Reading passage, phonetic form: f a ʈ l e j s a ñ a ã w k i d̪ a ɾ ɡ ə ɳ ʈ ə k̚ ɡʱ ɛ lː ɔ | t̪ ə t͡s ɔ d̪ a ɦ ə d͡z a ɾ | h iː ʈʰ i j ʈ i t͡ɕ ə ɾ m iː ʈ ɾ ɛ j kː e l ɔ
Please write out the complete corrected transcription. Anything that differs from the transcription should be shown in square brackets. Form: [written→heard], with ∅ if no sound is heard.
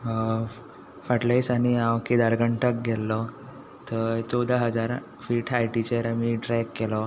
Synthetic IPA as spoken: f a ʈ l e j s a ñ [a→i] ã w k i d̪ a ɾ ɡ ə ɳ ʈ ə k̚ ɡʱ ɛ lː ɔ | t̪ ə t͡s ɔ d̪ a ɦ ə d͡z a ɾ | [h→f] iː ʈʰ [i→a] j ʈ i t͡ɕ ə ɾ m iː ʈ ɾ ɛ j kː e l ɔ